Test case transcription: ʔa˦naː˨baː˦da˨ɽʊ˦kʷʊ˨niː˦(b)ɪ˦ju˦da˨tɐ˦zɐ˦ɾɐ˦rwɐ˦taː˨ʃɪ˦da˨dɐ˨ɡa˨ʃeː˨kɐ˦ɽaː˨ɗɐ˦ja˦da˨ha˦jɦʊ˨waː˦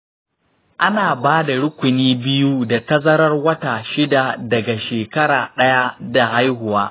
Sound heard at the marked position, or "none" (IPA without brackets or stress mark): b